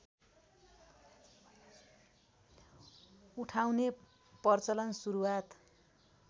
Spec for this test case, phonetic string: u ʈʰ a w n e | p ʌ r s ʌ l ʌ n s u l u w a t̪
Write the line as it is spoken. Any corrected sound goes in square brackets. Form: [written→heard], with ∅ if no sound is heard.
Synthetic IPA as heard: u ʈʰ a w n e | p ʌ r [s→t͡s] ʌ l ʌ n s u [l→ɾ] u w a t̪